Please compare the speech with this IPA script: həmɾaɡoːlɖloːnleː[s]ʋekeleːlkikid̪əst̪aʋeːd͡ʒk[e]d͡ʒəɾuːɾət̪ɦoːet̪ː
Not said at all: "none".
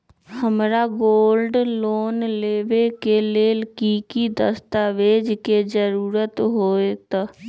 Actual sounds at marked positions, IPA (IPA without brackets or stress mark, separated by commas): none, e